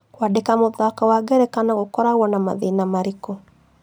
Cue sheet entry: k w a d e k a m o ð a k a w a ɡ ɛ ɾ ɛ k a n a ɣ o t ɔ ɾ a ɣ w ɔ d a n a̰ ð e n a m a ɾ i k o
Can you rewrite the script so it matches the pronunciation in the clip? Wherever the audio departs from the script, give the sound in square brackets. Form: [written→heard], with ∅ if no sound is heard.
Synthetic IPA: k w a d e k a m o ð a k a w a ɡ ɛ ɾ ɛ k a n a ɣ o [t→k] ɔ ɾ a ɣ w ɔ [d→n] a [n→m] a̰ ð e n a m a ɾ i k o